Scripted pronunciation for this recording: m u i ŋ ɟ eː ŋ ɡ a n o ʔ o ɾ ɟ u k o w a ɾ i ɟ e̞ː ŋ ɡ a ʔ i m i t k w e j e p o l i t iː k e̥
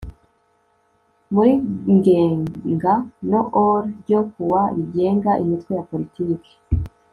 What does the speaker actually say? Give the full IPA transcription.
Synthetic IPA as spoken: m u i ŋ ɡ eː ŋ ɡ a n o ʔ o ɾ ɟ o k u w a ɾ i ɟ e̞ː ŋ ɡ a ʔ i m i t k w e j a p o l i t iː k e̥